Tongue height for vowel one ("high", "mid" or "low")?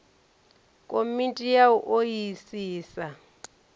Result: mid